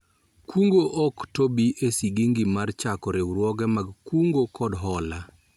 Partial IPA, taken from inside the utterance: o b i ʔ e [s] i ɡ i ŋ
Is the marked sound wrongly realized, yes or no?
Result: no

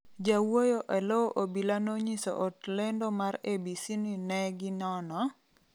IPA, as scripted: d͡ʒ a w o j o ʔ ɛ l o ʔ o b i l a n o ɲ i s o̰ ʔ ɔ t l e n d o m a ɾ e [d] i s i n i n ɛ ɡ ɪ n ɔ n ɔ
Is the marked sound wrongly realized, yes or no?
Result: yes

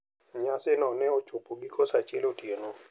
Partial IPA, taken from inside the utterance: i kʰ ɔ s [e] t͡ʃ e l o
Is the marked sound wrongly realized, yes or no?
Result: yes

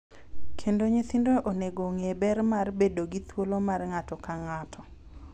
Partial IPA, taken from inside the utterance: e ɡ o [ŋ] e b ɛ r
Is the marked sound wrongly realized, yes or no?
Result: no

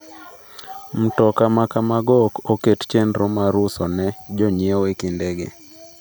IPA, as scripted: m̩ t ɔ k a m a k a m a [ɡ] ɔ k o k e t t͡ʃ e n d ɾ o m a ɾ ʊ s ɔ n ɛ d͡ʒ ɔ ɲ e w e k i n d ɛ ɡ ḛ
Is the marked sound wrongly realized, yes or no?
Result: no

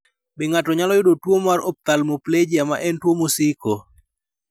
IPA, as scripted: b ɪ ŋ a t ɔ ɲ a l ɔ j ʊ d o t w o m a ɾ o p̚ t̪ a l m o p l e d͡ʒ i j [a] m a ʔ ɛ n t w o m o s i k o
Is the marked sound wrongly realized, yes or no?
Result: no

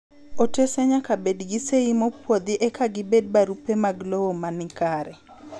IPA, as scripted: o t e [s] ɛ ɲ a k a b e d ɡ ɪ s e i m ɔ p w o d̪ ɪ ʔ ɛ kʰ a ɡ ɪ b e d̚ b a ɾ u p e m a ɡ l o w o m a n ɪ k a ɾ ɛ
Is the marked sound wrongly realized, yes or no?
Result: no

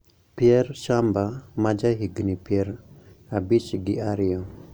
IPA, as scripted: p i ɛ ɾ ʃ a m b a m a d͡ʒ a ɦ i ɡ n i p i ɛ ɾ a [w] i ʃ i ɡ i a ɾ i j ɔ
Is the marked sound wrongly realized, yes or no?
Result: yes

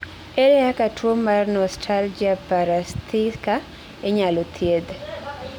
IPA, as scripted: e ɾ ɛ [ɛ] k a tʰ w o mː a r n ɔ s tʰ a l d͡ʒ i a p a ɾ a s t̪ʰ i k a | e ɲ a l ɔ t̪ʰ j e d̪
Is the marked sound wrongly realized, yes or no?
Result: yes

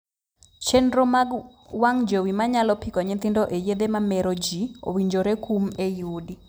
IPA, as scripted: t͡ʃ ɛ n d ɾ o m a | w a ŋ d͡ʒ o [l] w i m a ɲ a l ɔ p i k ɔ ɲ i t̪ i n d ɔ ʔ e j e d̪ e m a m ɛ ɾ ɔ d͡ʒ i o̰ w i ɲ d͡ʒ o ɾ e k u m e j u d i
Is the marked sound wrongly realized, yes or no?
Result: yes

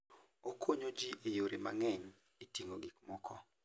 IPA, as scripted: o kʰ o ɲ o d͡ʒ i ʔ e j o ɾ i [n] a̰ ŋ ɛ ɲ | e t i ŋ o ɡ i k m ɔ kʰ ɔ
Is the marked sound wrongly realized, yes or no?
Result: yes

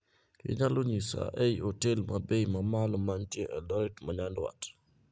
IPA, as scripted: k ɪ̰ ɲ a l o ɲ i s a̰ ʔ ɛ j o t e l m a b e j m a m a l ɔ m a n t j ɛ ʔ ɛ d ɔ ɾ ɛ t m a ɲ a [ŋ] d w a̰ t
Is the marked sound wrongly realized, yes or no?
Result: yes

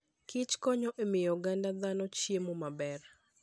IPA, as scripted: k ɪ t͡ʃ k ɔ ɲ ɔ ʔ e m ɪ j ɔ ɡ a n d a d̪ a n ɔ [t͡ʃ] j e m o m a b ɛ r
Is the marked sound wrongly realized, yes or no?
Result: no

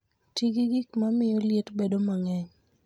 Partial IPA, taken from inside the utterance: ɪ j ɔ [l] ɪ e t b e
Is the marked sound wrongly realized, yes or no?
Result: no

